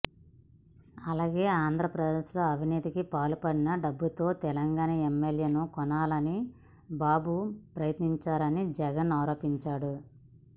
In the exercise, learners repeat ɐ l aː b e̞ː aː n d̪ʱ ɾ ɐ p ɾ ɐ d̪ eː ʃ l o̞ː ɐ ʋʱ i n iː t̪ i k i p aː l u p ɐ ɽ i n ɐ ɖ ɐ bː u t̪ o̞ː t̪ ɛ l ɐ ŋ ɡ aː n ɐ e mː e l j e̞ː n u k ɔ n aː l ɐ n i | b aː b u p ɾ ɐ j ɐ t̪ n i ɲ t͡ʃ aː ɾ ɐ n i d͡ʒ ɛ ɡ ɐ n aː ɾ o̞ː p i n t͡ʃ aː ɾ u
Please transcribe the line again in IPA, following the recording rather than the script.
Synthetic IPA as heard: ɐ l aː ɡ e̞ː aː n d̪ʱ ɾ ɐ p ɾ ɐ d̪ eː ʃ l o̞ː ɐ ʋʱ i n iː t̪ i k i p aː l u p ɐ ɽ i n ɐ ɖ ɐ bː u t̪ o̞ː t̪ ɛ l ɐ ŋ ɡ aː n ɐ e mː e l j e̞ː n u k ɔ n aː l ɐ n i | b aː b u p ɾ ɐ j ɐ t̪ n i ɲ t͡ʃ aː ɾ ɐ n i d͡ʒ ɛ ɡ ɐ n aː ɾ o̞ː p i ɲ t͡ʃ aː ɽ u